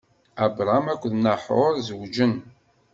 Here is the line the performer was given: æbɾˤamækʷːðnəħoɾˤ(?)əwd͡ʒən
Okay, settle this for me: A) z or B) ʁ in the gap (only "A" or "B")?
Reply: A